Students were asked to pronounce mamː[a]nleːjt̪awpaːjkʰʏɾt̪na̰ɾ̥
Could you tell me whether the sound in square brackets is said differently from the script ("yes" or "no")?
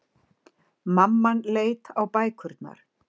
no